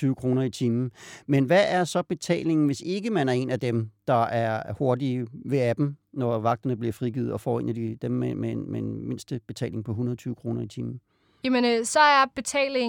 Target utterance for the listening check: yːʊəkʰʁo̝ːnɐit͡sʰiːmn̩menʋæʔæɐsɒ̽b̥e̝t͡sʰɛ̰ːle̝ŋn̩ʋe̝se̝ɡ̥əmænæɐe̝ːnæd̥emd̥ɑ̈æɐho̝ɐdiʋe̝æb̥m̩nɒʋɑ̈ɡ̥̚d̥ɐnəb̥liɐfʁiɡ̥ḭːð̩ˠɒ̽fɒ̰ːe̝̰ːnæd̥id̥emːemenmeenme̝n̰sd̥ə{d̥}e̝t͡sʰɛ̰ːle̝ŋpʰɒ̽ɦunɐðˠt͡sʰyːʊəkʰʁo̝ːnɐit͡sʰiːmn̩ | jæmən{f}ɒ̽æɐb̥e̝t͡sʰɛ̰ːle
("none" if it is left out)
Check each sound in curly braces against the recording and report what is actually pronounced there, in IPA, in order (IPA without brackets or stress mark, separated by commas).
b̥, s